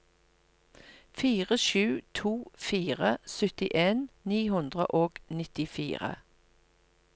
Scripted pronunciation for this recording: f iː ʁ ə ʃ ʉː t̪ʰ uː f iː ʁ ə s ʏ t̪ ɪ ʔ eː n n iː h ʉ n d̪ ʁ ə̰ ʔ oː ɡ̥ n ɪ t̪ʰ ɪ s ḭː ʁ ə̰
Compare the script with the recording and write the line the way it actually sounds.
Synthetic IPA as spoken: f iː ʁ ə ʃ ʉː t̪ʰ uː f iː ʁ ə s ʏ t̪ ɪ ʔ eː n n iː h ʉ n d̪ ʁ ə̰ ʔ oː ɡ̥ n ɪ t̪ ɪ f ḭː ʁ ə̰